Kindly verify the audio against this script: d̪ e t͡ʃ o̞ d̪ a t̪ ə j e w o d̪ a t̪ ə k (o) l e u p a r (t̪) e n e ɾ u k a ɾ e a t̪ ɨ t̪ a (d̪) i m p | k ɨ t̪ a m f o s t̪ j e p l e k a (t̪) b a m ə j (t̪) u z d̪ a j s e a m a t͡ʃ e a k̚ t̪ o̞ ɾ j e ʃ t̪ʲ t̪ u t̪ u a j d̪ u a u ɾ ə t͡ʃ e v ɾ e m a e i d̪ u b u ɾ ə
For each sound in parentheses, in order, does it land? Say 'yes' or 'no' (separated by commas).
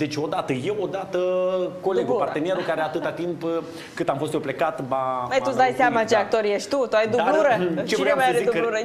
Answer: yes, yes, no, yes, yes